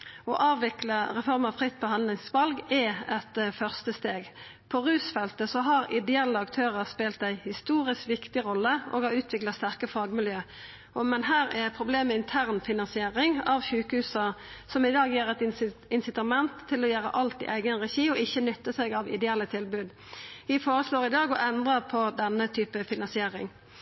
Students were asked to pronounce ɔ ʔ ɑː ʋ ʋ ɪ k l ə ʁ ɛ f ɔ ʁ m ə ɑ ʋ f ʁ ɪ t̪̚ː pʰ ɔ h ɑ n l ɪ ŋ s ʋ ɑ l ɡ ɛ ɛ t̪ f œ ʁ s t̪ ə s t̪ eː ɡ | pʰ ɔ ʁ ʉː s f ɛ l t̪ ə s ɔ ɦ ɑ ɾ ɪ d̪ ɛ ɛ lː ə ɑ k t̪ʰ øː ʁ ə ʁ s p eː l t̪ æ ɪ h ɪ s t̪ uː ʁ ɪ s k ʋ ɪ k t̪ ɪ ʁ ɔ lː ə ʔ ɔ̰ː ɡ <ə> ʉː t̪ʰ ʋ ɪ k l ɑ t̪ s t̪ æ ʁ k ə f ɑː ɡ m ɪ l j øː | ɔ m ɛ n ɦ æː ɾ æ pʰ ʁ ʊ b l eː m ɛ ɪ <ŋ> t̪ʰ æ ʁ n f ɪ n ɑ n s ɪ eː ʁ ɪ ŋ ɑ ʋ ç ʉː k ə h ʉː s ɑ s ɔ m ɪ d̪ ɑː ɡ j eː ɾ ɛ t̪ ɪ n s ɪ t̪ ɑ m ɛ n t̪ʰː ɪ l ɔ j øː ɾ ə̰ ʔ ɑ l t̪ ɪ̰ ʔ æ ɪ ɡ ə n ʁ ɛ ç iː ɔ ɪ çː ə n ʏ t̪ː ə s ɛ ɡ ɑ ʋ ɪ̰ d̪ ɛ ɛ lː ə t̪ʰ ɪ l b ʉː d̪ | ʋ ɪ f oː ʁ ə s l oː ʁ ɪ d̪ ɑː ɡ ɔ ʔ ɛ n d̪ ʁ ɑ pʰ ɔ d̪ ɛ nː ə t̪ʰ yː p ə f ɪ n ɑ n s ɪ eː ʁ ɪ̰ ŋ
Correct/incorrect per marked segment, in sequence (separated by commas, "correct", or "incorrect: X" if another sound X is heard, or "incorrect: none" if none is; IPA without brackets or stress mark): incorrect: ɑ, incorrect: n